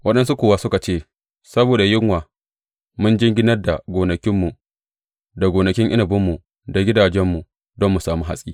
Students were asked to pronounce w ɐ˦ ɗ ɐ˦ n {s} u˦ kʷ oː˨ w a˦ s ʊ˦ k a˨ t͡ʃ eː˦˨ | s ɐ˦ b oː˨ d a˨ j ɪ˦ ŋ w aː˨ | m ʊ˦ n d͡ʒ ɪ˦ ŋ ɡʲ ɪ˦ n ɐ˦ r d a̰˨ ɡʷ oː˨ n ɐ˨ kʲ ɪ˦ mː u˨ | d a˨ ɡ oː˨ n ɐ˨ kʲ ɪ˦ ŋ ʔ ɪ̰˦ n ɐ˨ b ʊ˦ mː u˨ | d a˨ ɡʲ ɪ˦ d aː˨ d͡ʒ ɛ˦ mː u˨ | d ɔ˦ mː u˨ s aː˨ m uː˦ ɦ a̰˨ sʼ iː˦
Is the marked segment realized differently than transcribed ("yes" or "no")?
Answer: no